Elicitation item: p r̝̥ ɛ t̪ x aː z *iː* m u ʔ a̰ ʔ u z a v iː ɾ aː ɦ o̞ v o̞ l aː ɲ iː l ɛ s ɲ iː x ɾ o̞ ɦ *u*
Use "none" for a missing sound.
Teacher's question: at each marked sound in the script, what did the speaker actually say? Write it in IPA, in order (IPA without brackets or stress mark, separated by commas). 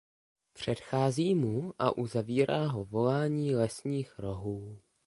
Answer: iː, uː